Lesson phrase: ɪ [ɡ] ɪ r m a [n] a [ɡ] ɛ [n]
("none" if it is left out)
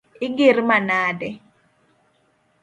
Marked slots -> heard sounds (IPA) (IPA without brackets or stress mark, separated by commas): ɡ, n, d, none